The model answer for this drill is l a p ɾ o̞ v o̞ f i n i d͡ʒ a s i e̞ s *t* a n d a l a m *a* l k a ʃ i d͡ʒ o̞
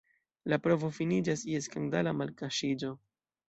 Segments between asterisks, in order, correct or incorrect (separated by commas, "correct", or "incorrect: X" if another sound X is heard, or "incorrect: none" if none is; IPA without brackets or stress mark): incorrect: k, correct